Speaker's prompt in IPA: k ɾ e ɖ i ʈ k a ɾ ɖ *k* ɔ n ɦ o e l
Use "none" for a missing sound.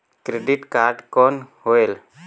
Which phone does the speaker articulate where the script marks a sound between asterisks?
k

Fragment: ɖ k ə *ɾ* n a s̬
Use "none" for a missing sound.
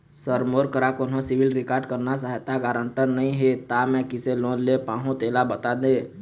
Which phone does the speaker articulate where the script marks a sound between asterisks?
ɾ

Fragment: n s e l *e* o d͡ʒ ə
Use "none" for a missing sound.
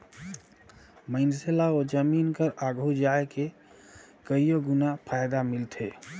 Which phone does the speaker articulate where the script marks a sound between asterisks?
a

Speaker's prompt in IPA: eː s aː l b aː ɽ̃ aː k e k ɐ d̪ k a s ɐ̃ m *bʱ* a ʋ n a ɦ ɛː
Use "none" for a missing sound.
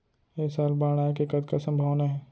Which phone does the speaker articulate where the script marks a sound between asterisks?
bʱ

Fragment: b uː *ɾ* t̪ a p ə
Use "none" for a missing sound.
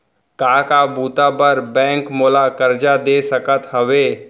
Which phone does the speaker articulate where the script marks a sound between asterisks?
none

